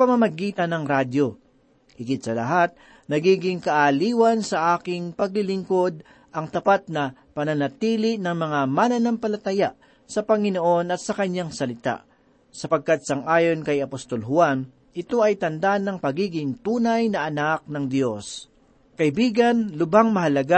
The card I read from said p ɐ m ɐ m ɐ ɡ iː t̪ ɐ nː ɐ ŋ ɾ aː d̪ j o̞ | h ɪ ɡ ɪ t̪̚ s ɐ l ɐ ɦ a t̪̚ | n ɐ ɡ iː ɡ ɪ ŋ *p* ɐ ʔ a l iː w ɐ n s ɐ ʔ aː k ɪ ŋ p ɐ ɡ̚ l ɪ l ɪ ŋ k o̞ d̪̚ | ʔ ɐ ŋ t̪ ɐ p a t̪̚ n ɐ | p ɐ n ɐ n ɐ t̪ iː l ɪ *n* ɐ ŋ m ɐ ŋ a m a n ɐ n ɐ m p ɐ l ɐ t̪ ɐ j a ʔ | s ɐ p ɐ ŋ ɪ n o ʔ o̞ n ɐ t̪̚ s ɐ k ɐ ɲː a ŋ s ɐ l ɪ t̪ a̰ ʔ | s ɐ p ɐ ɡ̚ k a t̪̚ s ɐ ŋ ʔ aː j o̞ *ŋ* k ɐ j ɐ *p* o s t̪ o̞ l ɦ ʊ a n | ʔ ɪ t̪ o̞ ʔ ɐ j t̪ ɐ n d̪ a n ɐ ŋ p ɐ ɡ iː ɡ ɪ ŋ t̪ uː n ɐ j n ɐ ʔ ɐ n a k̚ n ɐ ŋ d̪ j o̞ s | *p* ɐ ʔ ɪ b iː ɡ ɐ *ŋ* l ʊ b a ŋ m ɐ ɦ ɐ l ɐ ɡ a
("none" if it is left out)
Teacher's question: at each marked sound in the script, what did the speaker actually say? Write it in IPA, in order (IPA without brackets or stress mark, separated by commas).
k, n, n, p, k, n